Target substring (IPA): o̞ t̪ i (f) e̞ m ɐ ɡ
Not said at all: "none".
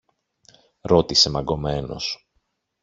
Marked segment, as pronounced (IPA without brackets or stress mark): s